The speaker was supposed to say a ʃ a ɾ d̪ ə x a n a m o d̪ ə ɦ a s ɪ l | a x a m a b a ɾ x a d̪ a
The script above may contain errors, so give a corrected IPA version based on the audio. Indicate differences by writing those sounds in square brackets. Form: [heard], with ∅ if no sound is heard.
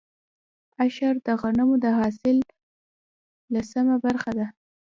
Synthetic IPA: a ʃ a ɾ d̪ ə [ɣ] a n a m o d̪ ə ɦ [ɑ] s ɪ l | a [s] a m a b a ɾ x a d̪ a